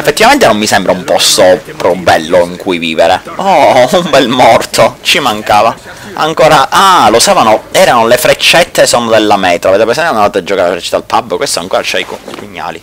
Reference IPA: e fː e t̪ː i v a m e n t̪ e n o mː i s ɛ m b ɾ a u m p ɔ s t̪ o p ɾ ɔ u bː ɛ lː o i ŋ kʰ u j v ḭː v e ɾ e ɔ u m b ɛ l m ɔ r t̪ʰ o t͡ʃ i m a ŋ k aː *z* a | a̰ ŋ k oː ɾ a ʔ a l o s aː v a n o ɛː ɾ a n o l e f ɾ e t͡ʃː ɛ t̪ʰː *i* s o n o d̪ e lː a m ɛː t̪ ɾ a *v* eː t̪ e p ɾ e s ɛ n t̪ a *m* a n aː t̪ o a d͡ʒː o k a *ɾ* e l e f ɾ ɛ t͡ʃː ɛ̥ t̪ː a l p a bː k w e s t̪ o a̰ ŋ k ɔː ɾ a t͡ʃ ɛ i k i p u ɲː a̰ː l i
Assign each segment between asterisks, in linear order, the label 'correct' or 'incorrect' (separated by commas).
incorrect, incorrect, correct, incorrect, correct